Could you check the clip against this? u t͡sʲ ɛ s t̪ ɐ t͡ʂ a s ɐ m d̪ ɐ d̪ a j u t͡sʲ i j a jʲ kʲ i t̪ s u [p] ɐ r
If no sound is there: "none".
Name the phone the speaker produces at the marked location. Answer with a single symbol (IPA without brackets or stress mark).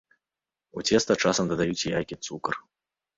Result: k